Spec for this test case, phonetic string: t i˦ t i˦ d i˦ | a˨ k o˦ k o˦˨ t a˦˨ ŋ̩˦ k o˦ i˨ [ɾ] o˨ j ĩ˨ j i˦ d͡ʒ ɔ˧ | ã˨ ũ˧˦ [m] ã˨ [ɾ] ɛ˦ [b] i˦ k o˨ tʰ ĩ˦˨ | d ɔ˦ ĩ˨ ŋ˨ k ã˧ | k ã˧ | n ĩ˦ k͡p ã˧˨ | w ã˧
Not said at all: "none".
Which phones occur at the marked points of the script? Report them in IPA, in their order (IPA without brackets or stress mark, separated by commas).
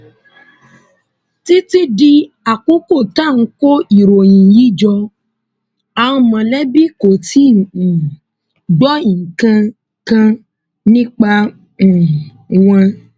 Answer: ɾ, m, l, b